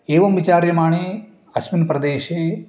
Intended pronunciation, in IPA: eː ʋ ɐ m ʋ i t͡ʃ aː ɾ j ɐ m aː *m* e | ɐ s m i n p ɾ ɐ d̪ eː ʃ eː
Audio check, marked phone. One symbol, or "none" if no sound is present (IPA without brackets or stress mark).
ɳ